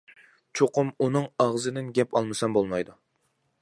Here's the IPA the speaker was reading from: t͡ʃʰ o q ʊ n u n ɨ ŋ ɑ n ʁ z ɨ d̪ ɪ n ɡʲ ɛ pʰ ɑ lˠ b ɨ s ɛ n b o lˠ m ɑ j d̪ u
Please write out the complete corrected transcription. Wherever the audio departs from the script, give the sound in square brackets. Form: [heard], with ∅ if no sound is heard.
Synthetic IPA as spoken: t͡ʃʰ o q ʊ [m] u n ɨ ŋ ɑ [∅] ʁ z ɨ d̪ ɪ n ɡʲ ɛ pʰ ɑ lˠ [m] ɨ s ɛ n b o lˠ m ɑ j d̪ u